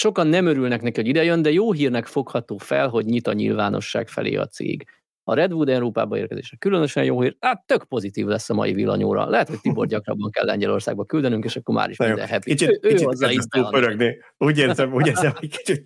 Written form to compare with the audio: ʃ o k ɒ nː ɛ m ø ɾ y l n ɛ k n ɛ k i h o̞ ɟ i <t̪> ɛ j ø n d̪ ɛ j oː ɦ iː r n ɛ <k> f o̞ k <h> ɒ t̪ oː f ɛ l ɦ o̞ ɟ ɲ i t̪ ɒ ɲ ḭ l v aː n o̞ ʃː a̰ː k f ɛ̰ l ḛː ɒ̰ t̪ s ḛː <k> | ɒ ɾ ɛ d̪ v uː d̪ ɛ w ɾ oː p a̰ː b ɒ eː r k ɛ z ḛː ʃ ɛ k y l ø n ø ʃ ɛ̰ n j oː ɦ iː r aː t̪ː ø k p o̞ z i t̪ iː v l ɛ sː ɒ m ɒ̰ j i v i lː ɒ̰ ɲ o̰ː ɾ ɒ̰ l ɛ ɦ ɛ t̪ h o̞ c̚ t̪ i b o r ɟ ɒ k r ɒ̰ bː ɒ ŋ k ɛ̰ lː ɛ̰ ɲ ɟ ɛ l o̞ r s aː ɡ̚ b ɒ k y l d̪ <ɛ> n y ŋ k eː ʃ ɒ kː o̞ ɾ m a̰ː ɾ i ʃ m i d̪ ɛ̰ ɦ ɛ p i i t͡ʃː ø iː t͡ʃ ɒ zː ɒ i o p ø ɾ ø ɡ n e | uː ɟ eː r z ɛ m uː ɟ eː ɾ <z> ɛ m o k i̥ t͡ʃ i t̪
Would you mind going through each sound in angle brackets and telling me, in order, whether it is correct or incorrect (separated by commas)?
incorrect, correct, correct, incorrect, correct, correct